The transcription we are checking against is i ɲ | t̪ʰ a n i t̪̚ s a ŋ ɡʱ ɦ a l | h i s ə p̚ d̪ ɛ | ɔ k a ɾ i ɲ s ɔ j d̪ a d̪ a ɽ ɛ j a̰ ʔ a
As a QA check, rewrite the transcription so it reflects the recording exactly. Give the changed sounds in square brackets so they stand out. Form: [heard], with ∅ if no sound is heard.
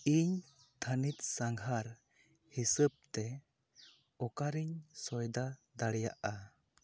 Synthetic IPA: i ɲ | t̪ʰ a n i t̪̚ s a ŋ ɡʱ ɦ a [ɾ] | h i s ə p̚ [t̪] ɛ | ɔ k a ɾ i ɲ s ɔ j d̪ a d̪ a ɽ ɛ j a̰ ʔ a